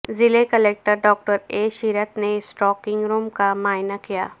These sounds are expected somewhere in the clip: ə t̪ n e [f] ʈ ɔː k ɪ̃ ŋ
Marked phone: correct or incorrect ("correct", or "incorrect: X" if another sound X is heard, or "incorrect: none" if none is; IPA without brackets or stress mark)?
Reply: incorrect: s